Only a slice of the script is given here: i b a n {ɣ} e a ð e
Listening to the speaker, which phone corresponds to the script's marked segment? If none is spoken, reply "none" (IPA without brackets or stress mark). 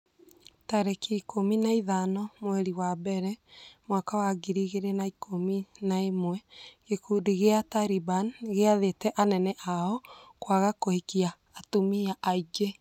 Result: ɣ